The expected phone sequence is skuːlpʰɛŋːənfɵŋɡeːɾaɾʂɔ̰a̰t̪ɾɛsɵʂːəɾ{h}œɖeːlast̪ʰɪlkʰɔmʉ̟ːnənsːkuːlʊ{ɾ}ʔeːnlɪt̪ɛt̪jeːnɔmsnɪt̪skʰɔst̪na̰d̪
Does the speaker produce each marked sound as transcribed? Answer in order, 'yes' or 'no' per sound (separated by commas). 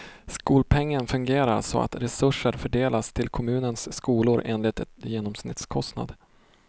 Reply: no, yes